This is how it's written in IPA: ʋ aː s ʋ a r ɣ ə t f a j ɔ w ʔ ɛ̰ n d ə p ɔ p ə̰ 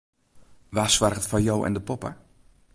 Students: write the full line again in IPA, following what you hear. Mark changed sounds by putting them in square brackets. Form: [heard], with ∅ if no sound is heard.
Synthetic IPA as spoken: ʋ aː s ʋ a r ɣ ə t f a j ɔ w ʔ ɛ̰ n d ə p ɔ p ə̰